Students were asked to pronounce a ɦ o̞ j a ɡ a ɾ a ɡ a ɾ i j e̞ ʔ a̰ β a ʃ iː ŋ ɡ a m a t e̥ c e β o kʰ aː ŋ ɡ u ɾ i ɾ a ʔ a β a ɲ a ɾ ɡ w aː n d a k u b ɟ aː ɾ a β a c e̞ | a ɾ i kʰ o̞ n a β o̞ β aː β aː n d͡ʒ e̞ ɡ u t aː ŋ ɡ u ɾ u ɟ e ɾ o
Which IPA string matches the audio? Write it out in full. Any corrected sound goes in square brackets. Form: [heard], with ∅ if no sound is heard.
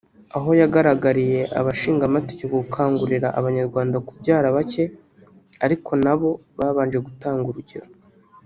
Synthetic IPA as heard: a ɦ o̞ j a ɡ a ɾ a ɡ a ɾ i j e̞ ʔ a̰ β a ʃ iː ŋ ɡ a m a t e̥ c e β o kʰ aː ŋ ɡ u ɾ i ɾ a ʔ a β a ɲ a ɾ ɡ w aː n d a k u b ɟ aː ɾ a β a c e̞ | a ɾ i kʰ o̞ n a β o̞ β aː β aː n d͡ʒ e̞ ɡ u t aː ŋ ɡ u ɾ u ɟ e ɾ o